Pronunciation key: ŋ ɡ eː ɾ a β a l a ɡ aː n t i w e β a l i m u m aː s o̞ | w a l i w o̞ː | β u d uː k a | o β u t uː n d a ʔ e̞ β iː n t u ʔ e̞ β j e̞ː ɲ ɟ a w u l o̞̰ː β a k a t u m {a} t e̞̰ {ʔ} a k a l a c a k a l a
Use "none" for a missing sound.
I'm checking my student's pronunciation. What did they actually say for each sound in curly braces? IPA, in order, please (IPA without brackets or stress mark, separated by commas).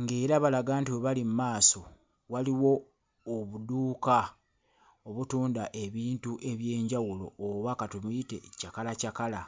i, c